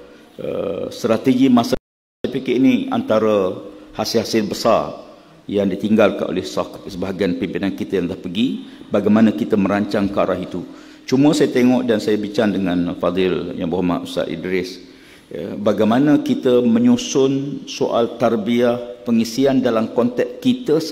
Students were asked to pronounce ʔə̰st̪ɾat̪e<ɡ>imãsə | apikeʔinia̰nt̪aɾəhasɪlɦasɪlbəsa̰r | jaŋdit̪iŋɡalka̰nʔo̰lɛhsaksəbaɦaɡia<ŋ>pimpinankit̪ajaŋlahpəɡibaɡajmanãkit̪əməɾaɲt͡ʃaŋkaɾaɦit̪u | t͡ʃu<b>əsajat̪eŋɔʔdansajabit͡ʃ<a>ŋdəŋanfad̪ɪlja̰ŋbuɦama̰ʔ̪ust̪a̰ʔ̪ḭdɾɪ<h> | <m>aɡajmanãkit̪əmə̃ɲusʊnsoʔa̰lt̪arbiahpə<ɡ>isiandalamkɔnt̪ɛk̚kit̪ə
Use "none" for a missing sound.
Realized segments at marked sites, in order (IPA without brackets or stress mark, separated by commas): ɡ, n, m, a, s, b, ŋ